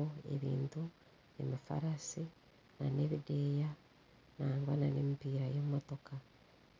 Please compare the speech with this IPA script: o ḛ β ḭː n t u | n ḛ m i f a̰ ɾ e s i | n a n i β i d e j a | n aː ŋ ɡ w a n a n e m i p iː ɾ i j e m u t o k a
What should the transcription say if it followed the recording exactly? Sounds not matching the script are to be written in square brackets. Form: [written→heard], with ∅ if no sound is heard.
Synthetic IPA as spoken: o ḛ β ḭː n t u | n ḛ m i f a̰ ɾ [e→a] s i | n a n [i→e] β i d e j a | n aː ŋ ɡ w a n a n e m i p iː ɾ [i→a] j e m [u→o] t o k a